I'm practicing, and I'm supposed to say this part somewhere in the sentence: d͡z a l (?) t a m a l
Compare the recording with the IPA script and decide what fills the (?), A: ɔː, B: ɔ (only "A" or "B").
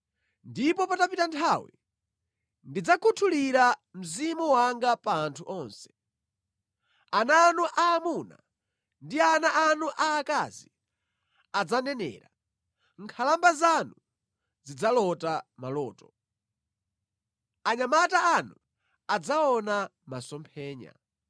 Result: B